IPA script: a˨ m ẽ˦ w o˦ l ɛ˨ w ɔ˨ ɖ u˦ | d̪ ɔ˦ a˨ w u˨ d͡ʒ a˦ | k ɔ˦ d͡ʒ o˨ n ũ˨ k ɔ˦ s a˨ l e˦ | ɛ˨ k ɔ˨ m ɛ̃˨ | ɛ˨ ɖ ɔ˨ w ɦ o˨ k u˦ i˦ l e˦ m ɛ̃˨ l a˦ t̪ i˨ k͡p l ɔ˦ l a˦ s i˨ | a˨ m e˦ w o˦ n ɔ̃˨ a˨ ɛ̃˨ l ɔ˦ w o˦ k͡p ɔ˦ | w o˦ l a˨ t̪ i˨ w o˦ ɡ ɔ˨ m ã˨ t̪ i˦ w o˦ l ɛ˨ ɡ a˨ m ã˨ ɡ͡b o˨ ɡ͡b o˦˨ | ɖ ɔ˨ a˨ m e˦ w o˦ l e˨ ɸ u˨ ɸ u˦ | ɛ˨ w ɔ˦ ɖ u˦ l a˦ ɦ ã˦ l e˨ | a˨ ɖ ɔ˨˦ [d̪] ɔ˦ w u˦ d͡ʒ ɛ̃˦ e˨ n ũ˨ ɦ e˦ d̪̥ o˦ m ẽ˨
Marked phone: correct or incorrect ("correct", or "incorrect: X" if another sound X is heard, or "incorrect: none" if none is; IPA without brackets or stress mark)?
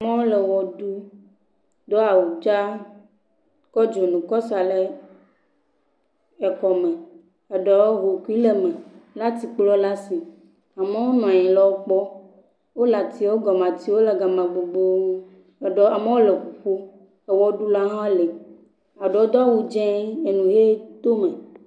correct